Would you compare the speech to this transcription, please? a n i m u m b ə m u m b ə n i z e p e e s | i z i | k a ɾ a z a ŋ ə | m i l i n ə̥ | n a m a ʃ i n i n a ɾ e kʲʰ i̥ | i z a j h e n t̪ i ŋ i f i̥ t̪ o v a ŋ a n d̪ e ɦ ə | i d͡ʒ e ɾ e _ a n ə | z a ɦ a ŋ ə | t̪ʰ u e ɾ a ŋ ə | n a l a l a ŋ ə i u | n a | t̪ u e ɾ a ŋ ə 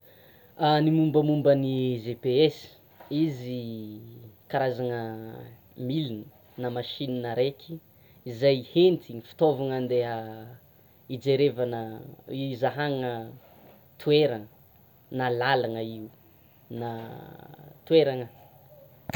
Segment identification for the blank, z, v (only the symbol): v